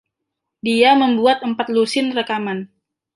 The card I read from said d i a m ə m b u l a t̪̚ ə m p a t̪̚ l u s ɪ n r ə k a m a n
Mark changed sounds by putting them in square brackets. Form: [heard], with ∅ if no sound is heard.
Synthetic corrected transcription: d i a m ə m b u [∅] a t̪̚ ə m p a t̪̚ l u s ɪ n r ə k a m a n